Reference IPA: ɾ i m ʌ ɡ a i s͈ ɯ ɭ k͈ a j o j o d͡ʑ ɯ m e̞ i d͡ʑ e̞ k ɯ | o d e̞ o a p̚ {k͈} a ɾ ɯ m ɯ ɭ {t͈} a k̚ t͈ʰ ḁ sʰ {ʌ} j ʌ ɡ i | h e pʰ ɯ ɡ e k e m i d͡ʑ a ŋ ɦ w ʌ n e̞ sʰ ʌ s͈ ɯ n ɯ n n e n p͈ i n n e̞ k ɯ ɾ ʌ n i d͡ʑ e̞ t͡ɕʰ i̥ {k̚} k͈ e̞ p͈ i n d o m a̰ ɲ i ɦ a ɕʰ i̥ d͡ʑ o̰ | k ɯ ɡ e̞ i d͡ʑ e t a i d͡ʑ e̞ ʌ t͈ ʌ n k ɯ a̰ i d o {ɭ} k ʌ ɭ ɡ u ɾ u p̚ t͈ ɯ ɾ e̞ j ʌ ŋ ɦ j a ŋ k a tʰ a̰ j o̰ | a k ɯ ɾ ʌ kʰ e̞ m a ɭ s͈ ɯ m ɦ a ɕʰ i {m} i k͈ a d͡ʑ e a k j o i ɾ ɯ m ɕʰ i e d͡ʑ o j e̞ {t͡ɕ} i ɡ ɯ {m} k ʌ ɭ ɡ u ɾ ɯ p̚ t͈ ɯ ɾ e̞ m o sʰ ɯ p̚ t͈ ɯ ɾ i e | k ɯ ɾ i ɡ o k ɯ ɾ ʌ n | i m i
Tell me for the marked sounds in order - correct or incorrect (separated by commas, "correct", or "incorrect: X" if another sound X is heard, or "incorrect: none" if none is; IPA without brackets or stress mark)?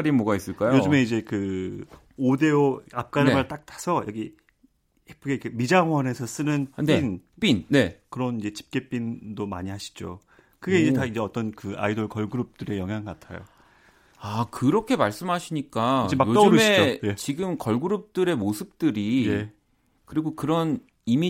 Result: correct, correct, correct, incorrect: p̚, correct, incorrect: ɲ, correct, correct